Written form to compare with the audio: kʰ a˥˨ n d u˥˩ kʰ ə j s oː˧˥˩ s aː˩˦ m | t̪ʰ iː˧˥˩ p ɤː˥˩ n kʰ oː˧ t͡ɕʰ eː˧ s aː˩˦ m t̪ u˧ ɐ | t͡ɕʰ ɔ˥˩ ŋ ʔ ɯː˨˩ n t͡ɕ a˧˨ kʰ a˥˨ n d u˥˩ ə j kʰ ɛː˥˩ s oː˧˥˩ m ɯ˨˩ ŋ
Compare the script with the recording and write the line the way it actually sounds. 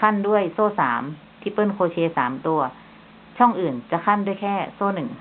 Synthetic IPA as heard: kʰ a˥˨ n d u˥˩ ə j s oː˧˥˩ s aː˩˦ m | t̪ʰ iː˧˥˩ p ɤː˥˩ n kʰ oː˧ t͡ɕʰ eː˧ s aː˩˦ m t̪ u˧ ɐ | t͡ɕʰ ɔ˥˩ ŋ ʔ ɯː˨˩ n t͡ɕ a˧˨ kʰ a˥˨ n d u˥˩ ə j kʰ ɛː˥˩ s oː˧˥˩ n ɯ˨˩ ŋ